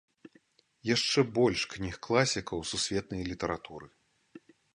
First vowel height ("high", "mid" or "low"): low